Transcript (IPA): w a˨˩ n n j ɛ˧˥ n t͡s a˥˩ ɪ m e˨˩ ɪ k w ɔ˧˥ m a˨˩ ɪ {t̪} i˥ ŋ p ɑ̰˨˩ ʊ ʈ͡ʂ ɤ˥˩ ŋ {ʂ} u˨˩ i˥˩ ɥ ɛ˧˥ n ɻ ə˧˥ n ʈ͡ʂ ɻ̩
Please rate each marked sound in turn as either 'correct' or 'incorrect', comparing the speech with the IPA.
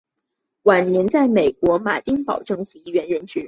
correct, incorrect

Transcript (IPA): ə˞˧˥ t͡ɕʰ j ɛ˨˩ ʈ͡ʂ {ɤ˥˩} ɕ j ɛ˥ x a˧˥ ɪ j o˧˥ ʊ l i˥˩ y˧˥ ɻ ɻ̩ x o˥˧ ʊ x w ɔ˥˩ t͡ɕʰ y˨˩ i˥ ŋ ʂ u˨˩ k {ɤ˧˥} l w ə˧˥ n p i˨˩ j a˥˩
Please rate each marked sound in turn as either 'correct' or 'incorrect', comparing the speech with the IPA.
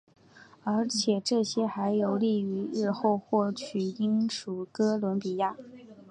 correct, incorrect

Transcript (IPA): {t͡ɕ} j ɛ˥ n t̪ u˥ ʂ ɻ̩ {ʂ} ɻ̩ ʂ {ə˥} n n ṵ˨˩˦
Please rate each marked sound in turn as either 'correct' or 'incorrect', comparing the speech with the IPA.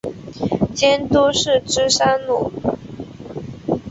correct, incorrect, incorrect

